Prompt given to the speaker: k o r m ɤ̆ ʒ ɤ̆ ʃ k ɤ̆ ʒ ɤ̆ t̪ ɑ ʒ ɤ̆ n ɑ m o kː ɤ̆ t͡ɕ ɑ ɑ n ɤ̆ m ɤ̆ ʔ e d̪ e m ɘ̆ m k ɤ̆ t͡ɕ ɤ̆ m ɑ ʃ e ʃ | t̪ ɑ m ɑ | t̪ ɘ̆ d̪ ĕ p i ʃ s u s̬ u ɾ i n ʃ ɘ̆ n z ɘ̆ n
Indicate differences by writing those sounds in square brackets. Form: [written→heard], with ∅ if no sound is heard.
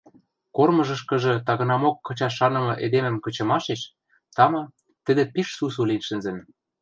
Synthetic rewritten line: k o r m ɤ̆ ʒ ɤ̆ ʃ k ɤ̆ ʒ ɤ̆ t̪ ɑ [ʒ→ɣ] ɤ̆ n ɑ m o kː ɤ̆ t͡ɕ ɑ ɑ n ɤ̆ m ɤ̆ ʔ e d̪ e m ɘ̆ m k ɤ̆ t͡ɕ ɤ̆ m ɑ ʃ e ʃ | t̪ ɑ m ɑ | t̪ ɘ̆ d̪ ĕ p i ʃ s u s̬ u [ɾ→l] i n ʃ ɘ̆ n z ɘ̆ n